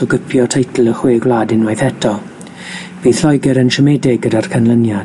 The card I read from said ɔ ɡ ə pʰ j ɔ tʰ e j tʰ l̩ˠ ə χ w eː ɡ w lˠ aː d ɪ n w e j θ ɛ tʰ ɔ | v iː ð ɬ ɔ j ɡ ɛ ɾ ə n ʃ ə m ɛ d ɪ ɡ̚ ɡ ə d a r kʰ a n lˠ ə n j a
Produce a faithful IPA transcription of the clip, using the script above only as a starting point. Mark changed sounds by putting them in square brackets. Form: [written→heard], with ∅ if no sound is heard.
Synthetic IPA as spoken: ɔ ɡ ə pʰ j ɔ tʰ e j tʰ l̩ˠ ə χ w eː ɡ w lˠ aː d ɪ n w [e→a] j θ ɛ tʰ ɔ | v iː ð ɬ ɔ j ɡ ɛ ɾ ə n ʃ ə m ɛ d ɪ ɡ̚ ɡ ə d a r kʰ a n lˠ ə n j a